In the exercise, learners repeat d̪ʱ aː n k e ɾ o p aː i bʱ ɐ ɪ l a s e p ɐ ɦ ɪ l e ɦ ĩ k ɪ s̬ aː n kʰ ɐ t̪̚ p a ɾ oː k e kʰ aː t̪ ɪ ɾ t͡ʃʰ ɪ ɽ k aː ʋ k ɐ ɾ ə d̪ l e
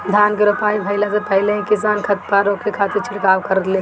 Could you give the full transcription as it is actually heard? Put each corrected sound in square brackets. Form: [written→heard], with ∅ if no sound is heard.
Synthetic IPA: d̪ʱ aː n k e ɾ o p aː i bʱ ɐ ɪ l a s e p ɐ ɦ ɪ l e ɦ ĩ k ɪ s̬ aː n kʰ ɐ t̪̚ p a ɾ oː k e kʰ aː t̪ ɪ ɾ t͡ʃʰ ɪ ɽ k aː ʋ k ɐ ɾ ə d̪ l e